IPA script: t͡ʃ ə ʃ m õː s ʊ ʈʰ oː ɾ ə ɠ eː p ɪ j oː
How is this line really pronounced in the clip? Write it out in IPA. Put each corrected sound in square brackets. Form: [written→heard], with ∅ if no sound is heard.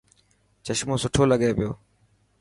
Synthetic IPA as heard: t͡ʃ ə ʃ m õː s ʊ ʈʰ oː [ɾ→l] ə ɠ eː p ɪ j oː